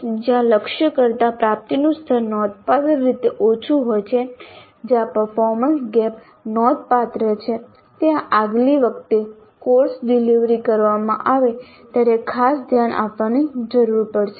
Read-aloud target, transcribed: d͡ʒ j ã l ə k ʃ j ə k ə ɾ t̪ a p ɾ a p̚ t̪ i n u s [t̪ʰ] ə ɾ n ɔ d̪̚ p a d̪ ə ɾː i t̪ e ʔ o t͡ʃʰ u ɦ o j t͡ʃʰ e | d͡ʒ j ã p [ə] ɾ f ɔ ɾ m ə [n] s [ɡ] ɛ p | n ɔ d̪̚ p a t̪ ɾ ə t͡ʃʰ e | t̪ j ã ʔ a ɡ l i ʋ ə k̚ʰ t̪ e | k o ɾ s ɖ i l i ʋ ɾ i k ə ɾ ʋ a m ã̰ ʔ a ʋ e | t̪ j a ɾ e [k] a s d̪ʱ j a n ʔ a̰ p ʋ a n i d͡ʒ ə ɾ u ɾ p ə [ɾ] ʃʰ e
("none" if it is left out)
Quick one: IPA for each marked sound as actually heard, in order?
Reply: t̪ʰ, ə, n, ɡ, kʰ, ɽ

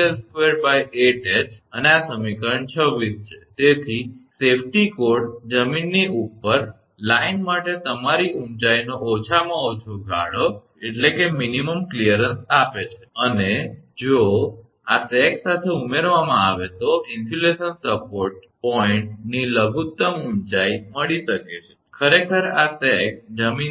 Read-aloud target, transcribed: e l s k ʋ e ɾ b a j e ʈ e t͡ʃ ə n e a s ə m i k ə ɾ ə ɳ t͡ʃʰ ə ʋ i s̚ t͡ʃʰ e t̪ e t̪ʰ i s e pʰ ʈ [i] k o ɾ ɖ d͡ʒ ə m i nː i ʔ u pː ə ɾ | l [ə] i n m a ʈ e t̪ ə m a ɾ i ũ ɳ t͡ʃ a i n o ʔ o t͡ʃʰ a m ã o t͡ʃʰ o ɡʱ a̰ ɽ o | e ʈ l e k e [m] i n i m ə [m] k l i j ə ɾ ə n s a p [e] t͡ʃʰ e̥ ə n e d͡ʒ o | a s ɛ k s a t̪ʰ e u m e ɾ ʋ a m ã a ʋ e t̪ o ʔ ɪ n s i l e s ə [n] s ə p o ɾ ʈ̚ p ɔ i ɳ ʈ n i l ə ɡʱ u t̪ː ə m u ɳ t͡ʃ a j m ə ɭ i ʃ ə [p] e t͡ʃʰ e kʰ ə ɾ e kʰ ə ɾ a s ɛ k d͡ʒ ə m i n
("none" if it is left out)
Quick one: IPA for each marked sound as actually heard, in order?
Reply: i, a, m, m, e, n, k

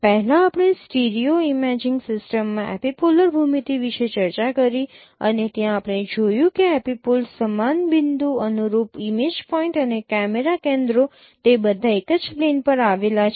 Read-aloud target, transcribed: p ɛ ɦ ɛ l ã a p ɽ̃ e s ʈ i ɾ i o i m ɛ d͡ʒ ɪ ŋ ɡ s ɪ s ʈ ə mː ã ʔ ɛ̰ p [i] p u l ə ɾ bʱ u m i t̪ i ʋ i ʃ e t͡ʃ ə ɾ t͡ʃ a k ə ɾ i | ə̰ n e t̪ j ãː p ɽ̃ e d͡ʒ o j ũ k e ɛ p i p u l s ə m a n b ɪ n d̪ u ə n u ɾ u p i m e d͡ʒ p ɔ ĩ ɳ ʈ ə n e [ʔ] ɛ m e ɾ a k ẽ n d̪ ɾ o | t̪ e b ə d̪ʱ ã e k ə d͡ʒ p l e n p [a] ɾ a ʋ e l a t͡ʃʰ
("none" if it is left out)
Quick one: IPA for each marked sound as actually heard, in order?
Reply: i, k, ə

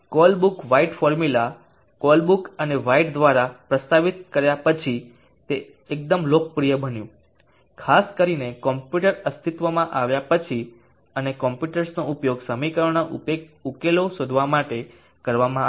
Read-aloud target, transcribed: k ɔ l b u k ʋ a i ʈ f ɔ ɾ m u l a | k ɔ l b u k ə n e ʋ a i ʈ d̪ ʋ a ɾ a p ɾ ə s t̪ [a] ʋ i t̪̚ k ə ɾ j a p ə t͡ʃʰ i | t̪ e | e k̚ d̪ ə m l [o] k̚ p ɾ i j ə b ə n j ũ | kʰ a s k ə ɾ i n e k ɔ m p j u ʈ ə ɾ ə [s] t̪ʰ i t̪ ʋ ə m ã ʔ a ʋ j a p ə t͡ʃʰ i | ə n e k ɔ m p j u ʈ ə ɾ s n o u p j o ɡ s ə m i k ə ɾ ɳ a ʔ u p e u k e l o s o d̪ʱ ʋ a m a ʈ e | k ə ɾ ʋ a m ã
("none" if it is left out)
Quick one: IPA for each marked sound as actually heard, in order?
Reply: a, o, s

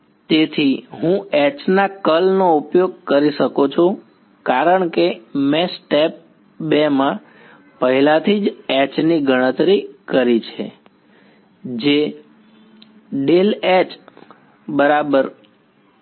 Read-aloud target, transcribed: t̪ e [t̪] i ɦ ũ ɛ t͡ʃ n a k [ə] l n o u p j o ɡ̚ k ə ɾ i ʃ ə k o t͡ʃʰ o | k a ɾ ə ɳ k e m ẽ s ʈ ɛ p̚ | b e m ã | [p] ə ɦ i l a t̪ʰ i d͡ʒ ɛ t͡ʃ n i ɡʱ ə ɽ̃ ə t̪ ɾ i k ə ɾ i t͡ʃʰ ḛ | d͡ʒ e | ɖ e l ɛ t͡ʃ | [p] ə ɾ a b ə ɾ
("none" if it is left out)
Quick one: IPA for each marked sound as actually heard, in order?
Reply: t̪ʰ, ə, p, b

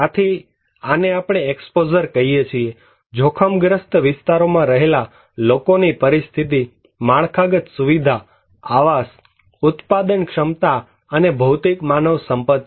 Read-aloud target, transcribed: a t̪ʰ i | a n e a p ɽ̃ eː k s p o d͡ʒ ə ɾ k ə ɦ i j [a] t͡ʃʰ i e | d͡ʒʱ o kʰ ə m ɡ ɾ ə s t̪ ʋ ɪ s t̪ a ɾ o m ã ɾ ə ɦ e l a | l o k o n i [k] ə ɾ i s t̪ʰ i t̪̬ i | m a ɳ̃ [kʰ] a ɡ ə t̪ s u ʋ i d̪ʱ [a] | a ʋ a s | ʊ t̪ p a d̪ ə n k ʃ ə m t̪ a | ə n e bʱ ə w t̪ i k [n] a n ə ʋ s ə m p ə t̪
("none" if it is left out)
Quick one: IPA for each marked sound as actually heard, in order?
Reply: e, p, kʰ, a, m

